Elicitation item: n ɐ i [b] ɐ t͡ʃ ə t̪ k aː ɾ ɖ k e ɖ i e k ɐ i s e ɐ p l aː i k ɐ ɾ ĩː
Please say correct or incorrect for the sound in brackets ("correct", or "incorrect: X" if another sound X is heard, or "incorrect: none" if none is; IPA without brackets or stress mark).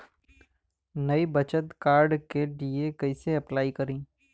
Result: correct